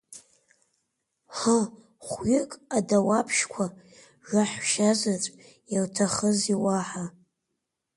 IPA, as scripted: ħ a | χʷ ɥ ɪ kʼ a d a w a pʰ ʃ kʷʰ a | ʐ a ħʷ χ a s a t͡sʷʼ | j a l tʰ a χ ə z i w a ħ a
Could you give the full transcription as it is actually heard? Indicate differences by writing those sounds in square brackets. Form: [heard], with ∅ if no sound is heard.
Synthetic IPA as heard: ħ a | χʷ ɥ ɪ kʼ a d a w a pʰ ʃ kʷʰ a | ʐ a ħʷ [ʃ] a [z] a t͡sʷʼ | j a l tʰ a χ ə z i w a ħ a